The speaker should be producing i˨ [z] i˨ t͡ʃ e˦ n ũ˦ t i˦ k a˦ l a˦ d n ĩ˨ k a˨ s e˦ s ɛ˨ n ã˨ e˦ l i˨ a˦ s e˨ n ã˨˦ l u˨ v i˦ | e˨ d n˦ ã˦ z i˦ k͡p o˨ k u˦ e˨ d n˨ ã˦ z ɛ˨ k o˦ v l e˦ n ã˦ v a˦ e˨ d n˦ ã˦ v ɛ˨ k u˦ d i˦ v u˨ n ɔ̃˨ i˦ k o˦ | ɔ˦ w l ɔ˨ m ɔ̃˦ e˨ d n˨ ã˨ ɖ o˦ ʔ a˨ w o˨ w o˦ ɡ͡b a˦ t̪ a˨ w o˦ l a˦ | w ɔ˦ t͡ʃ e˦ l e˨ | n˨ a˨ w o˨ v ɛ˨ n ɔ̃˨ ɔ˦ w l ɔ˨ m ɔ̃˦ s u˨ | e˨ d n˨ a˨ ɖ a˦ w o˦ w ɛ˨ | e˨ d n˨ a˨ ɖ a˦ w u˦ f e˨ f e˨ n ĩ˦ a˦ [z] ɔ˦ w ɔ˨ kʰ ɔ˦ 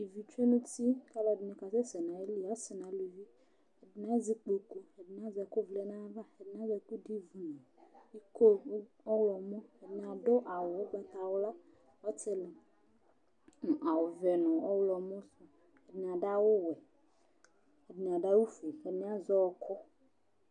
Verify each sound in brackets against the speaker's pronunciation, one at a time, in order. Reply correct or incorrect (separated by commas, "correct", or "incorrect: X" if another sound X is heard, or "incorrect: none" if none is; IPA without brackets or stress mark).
incorrect: v, correct